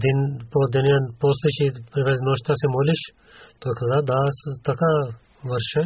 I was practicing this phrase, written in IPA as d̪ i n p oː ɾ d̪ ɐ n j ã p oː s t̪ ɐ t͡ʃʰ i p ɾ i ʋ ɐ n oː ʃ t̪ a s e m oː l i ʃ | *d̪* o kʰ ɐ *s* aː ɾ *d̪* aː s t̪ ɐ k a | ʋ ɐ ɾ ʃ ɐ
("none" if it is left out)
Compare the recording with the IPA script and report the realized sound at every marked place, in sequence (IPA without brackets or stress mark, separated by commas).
t̪, z, d̪